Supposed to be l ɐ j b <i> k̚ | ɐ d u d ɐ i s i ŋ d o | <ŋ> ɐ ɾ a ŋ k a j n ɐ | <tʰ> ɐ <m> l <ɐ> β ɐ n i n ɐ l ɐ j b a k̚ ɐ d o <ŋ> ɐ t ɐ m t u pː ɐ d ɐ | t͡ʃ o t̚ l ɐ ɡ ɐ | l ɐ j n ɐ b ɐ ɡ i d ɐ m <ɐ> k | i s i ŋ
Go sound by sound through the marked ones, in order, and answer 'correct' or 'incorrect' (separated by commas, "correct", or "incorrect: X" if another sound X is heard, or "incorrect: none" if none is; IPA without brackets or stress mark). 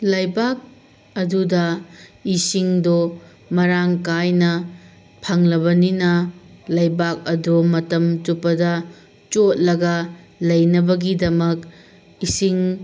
incorrect: a, incorrect: m, incorrect: pʰ, incorrect: ŋ, correct, incorrect: m, correct